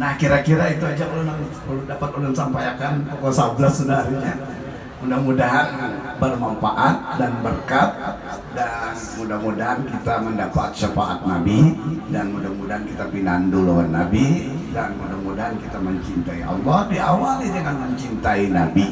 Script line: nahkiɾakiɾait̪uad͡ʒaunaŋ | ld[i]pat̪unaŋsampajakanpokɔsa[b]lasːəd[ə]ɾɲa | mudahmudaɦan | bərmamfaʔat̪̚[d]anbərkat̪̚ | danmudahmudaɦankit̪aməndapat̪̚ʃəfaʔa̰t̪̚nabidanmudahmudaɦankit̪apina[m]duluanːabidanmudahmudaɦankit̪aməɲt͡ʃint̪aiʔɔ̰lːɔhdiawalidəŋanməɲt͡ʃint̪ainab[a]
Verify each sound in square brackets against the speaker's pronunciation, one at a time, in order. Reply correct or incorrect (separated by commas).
incorrect, correct, incorrect, correct, incorrect, incorrect